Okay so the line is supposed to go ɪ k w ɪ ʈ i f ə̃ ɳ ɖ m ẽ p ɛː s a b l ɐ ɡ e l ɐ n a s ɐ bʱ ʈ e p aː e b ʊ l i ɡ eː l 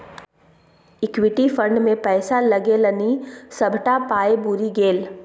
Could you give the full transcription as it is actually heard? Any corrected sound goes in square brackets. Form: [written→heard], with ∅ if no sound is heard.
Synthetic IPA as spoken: ɪ k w ɪ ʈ i f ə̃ ɳ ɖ m ẽ p ɛː s a [b→∅] l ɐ ɡ e l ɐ n [a→i] s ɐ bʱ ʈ [e→a] p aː e b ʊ [l→ɾ] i ɡ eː l